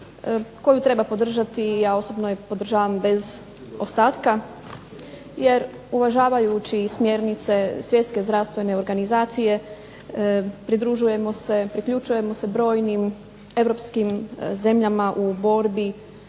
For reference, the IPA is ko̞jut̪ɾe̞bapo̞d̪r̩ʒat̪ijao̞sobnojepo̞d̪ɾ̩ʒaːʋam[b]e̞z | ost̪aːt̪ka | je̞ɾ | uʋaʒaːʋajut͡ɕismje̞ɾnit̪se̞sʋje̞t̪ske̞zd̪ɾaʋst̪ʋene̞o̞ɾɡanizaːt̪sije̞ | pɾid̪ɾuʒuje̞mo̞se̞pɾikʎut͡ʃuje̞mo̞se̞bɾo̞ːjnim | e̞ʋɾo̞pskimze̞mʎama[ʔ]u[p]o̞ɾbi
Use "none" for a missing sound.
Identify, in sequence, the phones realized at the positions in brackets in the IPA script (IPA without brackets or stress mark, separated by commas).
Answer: b, ʔ, b